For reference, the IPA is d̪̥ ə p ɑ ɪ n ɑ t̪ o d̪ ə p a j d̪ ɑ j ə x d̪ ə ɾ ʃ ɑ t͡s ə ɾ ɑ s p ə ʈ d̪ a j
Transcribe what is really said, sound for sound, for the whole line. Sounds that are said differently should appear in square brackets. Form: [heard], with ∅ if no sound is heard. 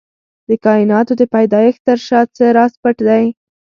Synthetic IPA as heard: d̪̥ ə [k] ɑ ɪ n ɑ t̪ o d̪ ə p a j d̪ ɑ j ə x [t̪] ə ɾ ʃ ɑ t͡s ə ɾ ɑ s p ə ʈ d̪ a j